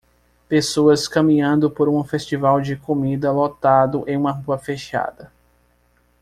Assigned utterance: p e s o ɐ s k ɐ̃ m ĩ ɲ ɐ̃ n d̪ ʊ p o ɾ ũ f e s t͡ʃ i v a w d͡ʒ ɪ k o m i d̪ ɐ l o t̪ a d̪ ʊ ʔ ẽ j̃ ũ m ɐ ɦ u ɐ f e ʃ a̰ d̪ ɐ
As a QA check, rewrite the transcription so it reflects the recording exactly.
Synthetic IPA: p e s o ɐ s k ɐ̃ m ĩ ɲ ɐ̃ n d̪ ʊ p o ɾ ũ f e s t͡ʃ i v a w d͡ʒ ɪ k o m i d̪ ɐ l o t̪ a d̪ ʊ ʔ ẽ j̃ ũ m ɐ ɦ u ɐ f e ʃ a̰ d̪ ɐ